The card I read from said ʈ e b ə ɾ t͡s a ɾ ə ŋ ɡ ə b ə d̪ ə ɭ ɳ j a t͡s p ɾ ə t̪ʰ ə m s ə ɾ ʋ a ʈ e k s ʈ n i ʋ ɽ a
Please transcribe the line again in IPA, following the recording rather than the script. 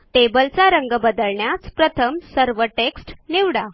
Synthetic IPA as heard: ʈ e b ə l t͡s a ɾ ə ŋ ɡ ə b ə d̪ ə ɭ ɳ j a t͡s p ɾ ə t̪ʰ ə m s ə ɾ ʋ ə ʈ e k s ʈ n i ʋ ɽ a